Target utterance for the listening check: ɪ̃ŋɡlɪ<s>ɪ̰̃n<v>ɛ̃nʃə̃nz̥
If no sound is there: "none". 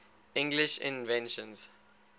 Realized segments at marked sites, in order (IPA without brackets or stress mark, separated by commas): ʃ, v